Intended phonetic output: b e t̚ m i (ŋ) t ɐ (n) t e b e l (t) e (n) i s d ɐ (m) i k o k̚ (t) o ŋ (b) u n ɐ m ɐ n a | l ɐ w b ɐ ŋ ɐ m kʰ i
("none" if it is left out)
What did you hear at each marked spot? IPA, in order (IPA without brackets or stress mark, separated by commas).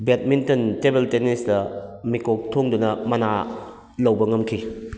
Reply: n, n, t, n, m, tʰ, d